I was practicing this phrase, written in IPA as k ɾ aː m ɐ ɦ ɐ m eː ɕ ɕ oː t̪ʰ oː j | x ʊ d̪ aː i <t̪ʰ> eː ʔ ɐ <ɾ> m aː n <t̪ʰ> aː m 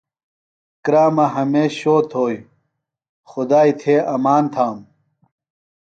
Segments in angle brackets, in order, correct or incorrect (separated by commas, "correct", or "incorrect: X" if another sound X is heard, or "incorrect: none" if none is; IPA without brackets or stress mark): correct, incorrect: none, correct